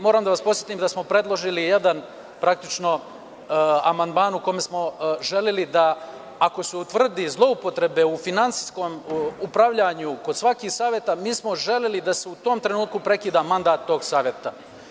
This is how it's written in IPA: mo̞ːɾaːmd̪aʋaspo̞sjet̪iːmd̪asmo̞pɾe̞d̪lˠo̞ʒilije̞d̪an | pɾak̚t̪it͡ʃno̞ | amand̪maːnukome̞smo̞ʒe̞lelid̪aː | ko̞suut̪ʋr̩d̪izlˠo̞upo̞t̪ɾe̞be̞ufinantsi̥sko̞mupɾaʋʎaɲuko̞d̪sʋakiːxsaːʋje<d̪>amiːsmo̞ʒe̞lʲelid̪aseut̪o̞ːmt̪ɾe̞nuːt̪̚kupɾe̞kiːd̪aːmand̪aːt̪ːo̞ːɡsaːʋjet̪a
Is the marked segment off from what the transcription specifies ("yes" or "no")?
yes